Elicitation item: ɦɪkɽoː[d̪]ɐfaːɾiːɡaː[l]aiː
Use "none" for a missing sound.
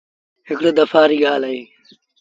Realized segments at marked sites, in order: d̪, l

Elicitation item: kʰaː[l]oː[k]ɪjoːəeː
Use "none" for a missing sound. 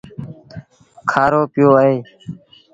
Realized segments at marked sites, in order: ɾ, p

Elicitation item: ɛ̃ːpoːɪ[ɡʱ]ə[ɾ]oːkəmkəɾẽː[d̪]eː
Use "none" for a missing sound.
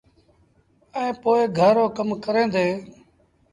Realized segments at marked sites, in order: ɡʱ, ɾ, d̪

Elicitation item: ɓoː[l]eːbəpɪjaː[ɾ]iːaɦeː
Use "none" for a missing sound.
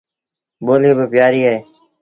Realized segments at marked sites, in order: l, ɾ

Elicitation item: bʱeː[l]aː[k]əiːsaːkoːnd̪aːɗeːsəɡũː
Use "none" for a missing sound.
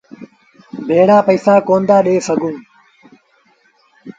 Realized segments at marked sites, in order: ɽ, p

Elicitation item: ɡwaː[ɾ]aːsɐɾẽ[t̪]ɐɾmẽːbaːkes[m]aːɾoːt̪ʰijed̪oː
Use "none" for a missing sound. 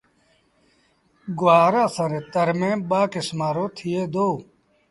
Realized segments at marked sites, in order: ɾ, t̪, m

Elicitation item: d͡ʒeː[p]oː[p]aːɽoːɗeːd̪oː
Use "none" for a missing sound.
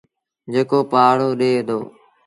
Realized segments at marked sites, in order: k, p

